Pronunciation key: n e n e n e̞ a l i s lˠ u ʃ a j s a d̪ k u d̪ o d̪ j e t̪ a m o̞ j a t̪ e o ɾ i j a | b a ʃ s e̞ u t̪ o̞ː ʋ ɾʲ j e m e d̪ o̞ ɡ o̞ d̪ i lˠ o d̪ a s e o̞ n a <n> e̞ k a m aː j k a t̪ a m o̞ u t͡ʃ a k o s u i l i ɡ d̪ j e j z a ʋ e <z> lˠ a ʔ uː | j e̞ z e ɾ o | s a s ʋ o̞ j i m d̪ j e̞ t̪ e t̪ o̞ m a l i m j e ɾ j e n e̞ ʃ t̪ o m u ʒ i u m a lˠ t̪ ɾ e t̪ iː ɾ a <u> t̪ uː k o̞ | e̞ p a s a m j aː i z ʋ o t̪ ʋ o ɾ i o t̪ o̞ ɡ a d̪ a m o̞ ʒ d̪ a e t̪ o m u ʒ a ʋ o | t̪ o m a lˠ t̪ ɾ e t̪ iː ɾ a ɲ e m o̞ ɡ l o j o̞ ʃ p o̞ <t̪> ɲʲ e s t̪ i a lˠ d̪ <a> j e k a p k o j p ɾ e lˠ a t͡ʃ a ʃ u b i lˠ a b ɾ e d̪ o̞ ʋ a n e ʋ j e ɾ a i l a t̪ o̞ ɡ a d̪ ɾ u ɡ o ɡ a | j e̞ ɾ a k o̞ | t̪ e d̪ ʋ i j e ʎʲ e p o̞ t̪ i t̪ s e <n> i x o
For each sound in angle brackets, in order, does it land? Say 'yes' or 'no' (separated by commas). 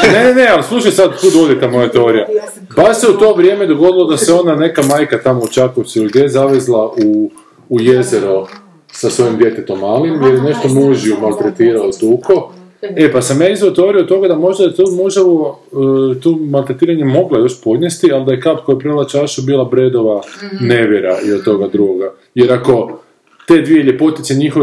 yes, yes, no, no, yes, no